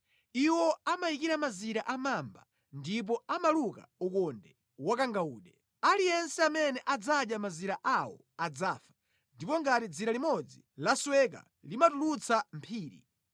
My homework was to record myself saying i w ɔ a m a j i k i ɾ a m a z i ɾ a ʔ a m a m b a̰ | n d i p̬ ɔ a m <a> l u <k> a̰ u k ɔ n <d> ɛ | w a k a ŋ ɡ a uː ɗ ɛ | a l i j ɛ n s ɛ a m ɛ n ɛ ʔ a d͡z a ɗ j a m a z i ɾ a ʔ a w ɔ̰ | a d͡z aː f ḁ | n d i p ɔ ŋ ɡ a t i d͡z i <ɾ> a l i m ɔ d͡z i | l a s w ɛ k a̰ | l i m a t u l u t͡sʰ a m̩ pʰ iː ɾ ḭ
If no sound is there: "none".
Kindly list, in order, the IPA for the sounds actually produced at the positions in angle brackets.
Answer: a, k, d, ɾ

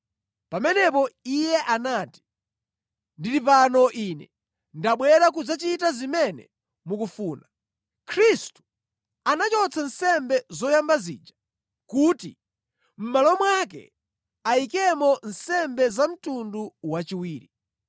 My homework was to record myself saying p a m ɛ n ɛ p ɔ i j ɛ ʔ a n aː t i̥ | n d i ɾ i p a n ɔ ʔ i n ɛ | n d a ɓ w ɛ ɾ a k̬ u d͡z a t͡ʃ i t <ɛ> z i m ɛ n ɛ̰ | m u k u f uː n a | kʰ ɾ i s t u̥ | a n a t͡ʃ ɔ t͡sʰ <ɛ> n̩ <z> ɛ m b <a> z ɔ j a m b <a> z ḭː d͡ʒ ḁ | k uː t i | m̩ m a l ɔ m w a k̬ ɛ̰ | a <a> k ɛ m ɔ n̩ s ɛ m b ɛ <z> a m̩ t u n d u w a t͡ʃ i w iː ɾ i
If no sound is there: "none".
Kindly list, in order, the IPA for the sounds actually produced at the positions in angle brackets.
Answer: a, a, s, ɛ, a, i, z

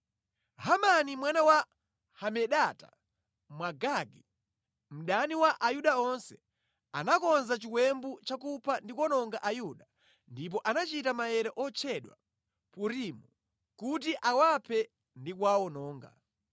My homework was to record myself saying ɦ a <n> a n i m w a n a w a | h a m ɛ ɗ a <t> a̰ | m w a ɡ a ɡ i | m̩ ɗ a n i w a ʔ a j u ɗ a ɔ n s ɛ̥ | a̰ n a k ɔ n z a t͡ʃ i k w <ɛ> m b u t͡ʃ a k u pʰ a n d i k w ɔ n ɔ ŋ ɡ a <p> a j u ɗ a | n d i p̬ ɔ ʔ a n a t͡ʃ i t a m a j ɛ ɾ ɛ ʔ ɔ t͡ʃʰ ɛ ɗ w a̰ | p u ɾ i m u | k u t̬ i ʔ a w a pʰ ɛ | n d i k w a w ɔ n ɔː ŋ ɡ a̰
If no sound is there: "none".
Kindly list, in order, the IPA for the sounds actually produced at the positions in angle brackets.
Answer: m, t, ɛ, ʔ

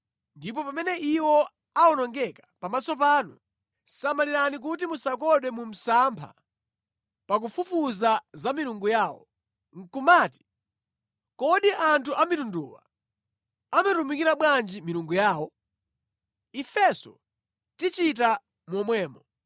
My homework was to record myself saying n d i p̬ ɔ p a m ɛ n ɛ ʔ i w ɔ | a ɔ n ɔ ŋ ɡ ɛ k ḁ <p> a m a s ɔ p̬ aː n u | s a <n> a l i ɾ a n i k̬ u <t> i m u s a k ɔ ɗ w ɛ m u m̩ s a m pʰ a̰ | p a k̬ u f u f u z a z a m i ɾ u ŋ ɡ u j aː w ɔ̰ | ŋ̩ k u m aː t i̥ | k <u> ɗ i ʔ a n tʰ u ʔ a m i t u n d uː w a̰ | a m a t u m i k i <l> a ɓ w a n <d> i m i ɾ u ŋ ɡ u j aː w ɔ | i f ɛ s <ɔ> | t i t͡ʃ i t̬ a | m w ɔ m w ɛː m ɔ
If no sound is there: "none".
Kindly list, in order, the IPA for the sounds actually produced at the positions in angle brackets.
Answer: p, m, t, ɔ, ɾ, d͡ʒ, ɔ

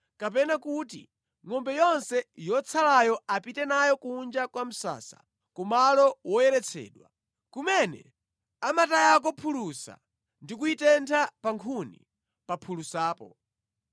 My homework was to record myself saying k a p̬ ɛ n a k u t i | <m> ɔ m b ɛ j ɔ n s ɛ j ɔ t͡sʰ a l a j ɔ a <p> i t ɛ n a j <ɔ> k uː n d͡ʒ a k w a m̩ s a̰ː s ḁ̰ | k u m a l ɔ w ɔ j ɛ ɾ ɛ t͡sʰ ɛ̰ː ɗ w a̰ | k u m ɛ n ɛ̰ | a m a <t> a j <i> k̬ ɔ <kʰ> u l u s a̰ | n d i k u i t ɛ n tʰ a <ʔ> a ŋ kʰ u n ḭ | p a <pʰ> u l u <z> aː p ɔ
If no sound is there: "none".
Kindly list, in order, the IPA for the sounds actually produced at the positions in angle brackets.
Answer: ŋ, p, ɔ, t, a, pʰ, p, pʰ, s

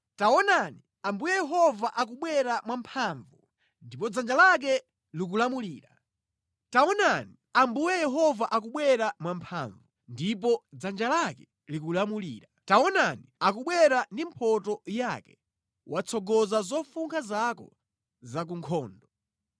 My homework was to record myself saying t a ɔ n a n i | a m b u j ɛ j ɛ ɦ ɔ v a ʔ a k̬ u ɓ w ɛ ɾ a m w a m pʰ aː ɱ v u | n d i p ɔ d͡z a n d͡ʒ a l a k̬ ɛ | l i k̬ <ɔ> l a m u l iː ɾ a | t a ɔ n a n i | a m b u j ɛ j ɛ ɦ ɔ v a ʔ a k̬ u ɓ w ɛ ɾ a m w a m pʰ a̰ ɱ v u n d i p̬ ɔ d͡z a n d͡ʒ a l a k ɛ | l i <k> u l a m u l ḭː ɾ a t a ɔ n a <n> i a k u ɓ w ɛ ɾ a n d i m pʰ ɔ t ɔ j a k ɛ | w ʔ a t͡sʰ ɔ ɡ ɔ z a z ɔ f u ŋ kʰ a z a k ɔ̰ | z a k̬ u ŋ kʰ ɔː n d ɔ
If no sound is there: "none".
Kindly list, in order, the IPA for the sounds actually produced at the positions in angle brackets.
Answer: u, k, n

